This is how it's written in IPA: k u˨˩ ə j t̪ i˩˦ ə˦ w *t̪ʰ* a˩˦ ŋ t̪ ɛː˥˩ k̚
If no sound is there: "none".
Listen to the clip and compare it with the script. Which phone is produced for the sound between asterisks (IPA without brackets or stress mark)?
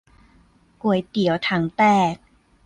t̪ʰ